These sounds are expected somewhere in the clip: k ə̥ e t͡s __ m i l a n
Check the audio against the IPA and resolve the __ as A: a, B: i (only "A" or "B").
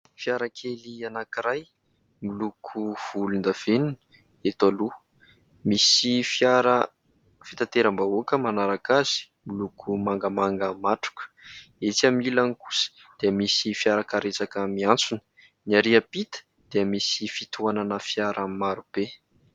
A